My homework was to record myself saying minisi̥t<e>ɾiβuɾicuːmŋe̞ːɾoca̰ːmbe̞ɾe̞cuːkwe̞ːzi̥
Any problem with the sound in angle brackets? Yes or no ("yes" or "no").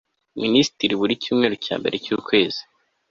yes